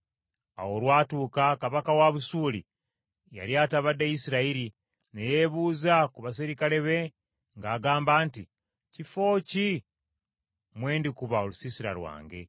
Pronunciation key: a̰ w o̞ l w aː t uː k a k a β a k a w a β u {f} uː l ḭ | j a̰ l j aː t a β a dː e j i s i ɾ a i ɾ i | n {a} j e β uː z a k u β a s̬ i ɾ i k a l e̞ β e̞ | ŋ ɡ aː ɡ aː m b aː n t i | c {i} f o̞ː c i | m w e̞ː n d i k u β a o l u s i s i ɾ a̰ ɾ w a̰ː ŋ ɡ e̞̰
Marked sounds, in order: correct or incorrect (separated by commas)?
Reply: incorrect, incorrect, correct